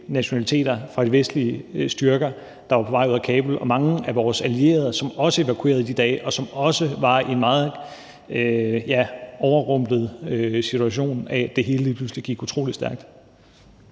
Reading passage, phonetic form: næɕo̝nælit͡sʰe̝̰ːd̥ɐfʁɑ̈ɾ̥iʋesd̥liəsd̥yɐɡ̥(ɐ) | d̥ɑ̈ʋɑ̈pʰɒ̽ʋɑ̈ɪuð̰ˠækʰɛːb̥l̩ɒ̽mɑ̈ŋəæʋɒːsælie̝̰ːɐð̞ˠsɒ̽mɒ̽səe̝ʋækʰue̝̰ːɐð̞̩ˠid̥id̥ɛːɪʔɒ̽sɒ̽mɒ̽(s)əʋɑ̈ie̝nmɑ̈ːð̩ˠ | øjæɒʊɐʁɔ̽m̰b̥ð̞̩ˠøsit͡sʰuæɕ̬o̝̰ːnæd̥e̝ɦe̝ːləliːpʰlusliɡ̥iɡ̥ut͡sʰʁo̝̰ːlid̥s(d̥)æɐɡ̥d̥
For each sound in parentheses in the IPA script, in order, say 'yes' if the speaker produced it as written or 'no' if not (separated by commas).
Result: yes, yes, yes